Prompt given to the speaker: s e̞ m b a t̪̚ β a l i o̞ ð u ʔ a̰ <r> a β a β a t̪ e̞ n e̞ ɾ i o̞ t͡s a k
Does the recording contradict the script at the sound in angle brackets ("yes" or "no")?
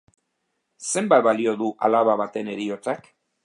yes